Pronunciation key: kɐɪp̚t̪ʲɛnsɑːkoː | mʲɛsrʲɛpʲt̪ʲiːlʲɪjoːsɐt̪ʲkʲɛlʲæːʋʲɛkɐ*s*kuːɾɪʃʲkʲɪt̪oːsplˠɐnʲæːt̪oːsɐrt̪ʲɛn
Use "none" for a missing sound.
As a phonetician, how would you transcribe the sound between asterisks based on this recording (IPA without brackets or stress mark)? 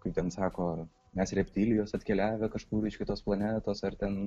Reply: ʃ